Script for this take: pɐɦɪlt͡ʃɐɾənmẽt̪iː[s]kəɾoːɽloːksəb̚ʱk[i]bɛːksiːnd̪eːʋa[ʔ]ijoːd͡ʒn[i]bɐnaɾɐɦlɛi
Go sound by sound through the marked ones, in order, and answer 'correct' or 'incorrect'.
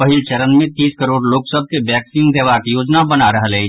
correct, incorrect, incorrect, incorrect

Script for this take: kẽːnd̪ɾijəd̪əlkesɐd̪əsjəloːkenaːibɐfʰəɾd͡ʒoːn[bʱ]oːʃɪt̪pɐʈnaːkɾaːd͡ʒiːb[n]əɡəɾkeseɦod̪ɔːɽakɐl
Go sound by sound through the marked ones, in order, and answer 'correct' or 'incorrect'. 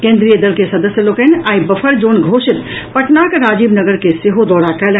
incorrect, correct

